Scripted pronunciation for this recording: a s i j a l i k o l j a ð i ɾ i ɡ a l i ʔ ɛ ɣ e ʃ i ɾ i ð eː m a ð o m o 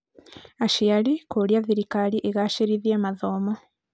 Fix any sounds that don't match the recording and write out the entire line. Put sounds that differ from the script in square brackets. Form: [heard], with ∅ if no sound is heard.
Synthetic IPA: a [ʃ] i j a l i k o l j a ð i ɾ i [k] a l i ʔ [e] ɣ [a] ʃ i ɾ i ð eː m a ð o m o